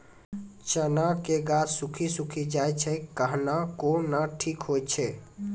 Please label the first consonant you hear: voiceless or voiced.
voiceless